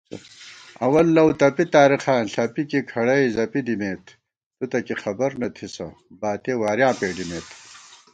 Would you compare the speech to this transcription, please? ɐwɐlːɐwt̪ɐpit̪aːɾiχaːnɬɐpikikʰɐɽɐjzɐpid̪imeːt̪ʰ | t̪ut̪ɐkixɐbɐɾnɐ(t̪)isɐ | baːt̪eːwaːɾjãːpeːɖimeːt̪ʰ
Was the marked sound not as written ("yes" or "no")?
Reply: yes